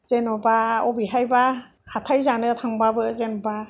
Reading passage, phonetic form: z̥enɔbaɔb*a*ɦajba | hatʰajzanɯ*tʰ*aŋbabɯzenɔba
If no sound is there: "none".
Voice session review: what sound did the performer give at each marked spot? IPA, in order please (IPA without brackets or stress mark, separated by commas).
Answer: i, tʰ